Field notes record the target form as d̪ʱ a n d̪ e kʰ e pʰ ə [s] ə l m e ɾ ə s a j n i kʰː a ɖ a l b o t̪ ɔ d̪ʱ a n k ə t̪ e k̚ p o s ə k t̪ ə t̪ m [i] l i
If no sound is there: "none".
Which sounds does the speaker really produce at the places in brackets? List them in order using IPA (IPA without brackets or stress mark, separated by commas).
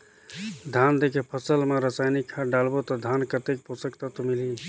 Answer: s, i